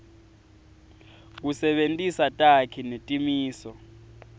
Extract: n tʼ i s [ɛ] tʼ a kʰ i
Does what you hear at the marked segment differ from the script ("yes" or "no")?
yes